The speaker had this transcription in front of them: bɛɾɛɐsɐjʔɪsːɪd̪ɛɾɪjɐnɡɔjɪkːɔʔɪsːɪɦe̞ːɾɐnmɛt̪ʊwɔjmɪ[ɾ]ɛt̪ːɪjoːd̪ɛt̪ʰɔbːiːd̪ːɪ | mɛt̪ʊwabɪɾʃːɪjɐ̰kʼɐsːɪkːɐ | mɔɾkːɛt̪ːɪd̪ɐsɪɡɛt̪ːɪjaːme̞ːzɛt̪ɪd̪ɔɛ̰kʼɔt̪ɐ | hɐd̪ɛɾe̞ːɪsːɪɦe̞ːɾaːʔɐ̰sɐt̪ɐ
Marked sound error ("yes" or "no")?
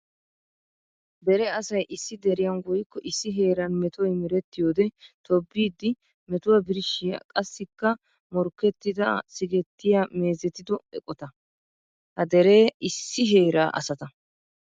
no